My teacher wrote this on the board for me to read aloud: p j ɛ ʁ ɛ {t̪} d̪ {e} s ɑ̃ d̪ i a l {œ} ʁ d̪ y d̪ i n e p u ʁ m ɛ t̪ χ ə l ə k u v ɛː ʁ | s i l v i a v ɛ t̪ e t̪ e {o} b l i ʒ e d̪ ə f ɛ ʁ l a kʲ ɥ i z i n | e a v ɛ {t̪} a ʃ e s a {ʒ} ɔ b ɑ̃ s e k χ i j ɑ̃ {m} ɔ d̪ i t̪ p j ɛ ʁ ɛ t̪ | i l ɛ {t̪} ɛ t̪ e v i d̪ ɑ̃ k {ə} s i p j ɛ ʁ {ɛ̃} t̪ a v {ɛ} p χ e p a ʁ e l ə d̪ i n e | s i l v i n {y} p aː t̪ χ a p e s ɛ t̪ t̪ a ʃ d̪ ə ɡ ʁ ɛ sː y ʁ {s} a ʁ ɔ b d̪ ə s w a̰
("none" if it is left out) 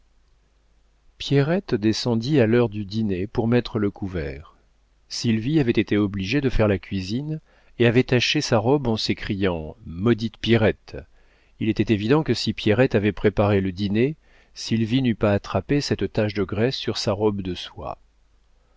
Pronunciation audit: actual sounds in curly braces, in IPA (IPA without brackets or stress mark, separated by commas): t̪, e, œ, ɔ, t̪, ʁ, m, t̪, ə, ɛ, ɛ, y, s